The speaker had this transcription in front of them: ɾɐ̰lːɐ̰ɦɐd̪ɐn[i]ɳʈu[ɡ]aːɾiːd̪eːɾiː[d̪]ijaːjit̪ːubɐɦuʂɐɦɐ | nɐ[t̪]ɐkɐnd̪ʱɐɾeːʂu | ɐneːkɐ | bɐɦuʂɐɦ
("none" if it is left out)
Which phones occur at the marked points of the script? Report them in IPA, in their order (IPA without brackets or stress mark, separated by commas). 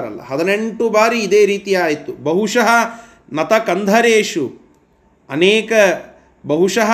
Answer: e, b, t̪, t̪